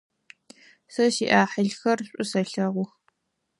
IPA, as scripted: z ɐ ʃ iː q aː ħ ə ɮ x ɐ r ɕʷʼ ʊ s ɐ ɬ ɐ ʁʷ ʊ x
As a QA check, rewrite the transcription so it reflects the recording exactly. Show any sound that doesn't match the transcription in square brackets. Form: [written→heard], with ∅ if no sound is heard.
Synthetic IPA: [z→s] ɐ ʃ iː [q→ʔ] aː ħ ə ɮ x ɐ r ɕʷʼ ʊ s ɐ ɬ ɐ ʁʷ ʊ x